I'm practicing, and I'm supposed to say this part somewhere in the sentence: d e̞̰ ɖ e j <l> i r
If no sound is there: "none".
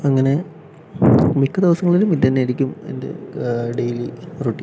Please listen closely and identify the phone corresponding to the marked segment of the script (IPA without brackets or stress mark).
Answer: l